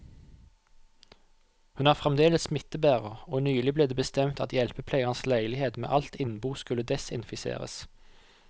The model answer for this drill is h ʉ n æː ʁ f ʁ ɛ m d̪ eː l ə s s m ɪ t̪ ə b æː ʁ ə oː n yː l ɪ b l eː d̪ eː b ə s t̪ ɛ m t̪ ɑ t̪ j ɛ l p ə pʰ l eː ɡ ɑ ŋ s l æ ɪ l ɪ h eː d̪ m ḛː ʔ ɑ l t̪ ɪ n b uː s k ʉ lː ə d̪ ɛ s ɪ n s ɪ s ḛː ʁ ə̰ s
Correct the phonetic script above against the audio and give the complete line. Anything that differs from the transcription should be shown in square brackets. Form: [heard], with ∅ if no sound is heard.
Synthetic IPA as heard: h ʉ n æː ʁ f ʁ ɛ m d̪ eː l ə s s m ɪ t̪ ə b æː ʁ ə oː n yː l ɪ b l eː d̪ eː b ə s t̪ ɛ m t̪ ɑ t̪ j ɛ l p ə pʰ l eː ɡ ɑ [n] s l æ ɪ l ɪ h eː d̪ m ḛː ʔ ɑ l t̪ ɪ n b uː s k ʉ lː ə d̪ ɛ s ɪ n [f] ɪ s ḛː ʁ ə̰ s